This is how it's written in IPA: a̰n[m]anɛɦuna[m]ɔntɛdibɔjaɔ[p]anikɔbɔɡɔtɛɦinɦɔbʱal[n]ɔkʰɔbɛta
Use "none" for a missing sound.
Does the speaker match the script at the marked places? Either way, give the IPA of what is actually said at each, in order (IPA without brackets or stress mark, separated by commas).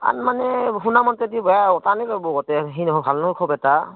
m, m, t, n